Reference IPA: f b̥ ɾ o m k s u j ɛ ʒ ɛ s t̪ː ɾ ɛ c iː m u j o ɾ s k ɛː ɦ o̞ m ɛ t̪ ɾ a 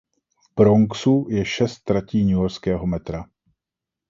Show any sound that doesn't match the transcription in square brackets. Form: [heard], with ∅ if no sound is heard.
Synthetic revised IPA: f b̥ ɾ o [ŋ] k s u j ɛ [ʃ] ɛ s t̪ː ɾ [a] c iː [ɲ] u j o ɾ s k ɛː ɦ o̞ m ɛ t̪ ɾ a

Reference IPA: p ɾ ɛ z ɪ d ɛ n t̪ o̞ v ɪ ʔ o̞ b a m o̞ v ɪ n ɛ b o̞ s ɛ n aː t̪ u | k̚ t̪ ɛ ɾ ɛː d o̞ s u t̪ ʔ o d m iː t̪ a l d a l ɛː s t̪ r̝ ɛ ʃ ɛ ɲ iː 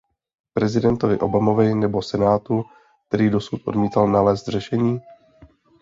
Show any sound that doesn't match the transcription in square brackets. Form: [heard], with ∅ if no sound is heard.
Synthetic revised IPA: p ɾ ɛ z ɪ d ɛ n t̪ o̞ v ɪ ʔ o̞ b a m o̞ v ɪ n ɛ b o̞ s ɛ n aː t̪ u | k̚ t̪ ɛ ɾ [iː] d o̞ s u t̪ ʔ o d m iː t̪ a l [n] a l ɛː s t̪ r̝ ɛ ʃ ɛ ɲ iː

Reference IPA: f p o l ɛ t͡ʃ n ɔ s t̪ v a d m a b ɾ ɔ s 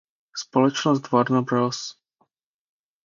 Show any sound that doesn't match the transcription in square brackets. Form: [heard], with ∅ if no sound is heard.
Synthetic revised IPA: [s] p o l ɛ t͡ʃ n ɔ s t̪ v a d [n] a b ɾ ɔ s

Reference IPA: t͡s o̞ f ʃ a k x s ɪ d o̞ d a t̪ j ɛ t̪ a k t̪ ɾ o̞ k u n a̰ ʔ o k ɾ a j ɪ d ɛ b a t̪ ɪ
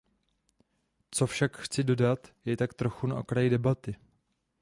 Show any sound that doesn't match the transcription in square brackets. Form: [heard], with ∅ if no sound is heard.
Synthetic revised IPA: t͡s o̞ f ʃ a k x [t͡s] ɪ d o̞ d a t̪ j ɛ t̪ a k t̪ ɾ o̞ [x] u n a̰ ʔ o k ɾ a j ɪ d ɛ b a t̪ ɪ

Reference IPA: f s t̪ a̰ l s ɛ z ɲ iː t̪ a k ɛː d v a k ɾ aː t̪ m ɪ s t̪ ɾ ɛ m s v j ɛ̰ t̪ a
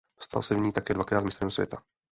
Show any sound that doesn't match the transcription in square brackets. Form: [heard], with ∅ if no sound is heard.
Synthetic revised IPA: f s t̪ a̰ l s ɛ [v] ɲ iː t̪ a k ɛː d v a k ɾ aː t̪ m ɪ s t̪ ɾ ɛ m s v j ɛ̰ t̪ a

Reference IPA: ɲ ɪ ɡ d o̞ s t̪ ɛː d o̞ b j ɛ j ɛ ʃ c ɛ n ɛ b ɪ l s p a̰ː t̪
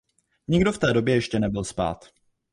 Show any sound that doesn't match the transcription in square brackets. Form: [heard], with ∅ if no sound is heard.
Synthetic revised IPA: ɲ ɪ ɡ d o̞ [f] t̪ ɛː d o̞ b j ɛ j ɛ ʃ c ɛ n ɛ b ɪ l s p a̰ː t̪

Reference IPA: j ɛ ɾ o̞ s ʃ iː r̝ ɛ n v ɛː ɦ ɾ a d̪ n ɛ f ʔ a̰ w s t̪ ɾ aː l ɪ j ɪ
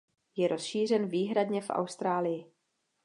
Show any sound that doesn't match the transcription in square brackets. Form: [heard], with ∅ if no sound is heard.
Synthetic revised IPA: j ɛ ɾ o̞ s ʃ iː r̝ ɛ n v [iː] ɦ ɾ a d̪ [ɲ] ɛ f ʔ a̰ w s t̪ ɾ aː l ɪ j ɪ

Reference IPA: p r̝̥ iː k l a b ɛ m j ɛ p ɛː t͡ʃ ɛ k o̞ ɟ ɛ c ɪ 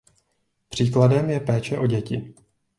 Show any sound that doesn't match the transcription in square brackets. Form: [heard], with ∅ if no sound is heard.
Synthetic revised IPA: p r̝̥ iː k l a [d] ɛ m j ɛ p ɛː t͡ʃ ɛ [ʔ] o̞ ɟ ɛ c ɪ

